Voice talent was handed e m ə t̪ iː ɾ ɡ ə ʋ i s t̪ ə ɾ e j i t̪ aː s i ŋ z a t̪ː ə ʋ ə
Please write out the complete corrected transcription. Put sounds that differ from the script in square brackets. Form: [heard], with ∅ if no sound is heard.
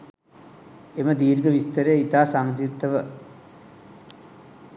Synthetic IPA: e m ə [d̪] iː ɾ ɡ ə ʋ i s t̪ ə ɾ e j i t̪ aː s [a] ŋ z [i] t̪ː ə ʋ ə

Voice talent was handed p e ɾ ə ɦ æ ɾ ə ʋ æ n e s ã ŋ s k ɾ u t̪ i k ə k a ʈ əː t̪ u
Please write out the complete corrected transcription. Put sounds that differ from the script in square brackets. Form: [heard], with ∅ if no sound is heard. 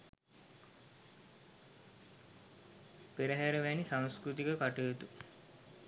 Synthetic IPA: p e ɾ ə ɦ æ ɾ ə ʋ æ n [i] s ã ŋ s k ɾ u t̪ i k ə k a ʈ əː t̪ u

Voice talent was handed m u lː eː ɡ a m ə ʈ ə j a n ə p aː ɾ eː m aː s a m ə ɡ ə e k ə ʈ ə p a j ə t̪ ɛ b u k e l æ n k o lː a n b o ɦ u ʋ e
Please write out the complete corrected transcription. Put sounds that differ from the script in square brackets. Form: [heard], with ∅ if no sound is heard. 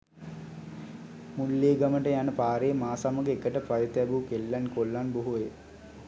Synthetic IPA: m u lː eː ɡ a m ə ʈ ə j a n ə p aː ɾ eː m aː s a m ə ɡ ə e k ə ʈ ə p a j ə t̪ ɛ b u k e [lː] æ n k o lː a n b o ɦ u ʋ e

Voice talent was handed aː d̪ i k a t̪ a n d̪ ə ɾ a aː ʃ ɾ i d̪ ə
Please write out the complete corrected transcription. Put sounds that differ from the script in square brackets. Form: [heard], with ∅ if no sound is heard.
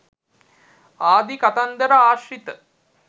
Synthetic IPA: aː d̪ i k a t̪ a n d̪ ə ɾ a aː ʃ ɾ i [t̪] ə

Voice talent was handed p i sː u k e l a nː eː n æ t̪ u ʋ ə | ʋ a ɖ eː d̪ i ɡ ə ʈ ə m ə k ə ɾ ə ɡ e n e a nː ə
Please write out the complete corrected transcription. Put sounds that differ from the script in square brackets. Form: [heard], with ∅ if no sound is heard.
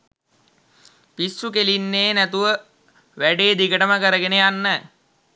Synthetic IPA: p i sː u k e l [i] nː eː n æ t̪ u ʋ ə | ʋ [æ] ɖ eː d̪ i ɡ ə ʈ ə m ə k ə ɾ ə ɡ e n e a nː ə

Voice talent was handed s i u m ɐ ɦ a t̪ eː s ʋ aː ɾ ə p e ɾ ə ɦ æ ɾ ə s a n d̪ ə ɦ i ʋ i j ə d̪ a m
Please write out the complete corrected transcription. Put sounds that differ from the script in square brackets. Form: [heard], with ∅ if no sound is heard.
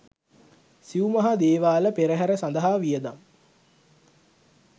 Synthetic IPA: s i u m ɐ ɦ a [d̪] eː [∅] ʋ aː [l] ə p e ɾ ə ɦ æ ɾ ə s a n d̪ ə ɦ [a] ʋ i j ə d̪ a m

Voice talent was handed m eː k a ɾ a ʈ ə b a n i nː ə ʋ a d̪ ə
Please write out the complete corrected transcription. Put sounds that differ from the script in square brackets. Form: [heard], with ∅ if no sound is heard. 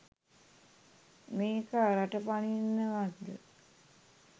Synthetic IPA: m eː k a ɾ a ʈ ə [p] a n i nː ə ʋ a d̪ ə

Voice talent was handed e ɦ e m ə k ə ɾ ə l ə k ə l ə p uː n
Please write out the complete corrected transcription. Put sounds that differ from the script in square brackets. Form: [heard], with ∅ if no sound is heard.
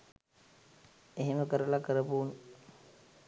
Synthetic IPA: e ɦ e m ə k ə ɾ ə l [a] k ə [ɾ] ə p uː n

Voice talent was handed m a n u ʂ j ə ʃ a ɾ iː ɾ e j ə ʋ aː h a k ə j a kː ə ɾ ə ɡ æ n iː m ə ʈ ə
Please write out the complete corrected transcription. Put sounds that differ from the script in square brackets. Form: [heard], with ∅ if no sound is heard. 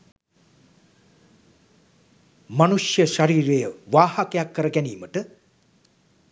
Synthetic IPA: m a n u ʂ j ə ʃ a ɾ iː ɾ e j ə ʋ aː h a k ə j a kː ə ɾ ə ɡ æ n iː m ə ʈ ə

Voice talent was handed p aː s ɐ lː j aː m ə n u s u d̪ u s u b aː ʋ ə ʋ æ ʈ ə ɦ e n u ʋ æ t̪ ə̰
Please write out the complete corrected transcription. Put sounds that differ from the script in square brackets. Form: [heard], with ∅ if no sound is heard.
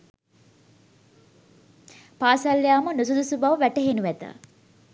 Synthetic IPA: p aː s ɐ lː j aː m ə n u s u d̪ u s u b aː ʋ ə ʋ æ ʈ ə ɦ e n u ʋ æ t̪ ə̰

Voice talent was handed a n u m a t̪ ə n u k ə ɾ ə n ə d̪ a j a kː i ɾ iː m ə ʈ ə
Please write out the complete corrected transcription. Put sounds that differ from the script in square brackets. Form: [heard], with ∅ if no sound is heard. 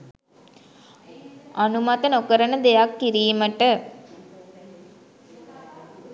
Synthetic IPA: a n u m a t̪ ə n [o] k ə ɾ ə n ə d̪ [e] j a kː i ɾ iː m ə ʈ ə

